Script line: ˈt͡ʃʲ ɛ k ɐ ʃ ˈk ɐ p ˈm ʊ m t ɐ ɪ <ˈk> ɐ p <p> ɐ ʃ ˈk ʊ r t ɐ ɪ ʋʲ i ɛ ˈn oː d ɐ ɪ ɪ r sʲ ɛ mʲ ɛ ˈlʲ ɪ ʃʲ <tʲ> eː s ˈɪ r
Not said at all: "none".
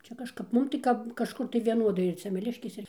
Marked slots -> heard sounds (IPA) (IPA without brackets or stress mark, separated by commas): k, k, kʲ